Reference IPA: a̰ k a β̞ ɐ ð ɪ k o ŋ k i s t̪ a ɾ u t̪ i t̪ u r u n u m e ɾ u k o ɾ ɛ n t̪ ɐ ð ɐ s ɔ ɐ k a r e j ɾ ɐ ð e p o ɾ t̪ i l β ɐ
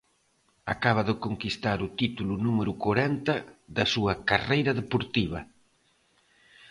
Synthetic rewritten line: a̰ k a β̞ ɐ ð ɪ k o ŋ k i s t̪ a ɾ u t̪ i t̪ u l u n u m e ɾ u k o ɾ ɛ n t̪ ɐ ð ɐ s u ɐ k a r e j ɾ ɐ ð e p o ɾ t̪ i β ɐ